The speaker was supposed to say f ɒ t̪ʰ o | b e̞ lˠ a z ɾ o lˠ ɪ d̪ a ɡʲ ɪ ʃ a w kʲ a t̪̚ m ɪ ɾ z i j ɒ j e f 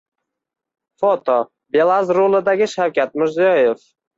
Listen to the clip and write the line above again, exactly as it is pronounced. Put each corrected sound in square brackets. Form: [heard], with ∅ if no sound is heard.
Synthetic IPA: f [o] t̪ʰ o | b e̞ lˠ a z ɾ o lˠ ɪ d̪ a ɡʲ ɪ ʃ a w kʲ a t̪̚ m ɪ ɾ z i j ɒ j e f